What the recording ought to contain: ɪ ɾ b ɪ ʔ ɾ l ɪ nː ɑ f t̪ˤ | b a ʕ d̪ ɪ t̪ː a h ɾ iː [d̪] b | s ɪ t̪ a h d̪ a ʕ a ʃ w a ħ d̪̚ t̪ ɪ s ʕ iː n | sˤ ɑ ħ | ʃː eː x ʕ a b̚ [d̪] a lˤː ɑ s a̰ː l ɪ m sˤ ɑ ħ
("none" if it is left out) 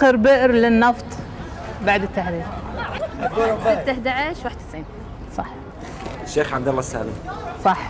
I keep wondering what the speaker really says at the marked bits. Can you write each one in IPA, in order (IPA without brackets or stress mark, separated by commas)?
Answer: none, d̪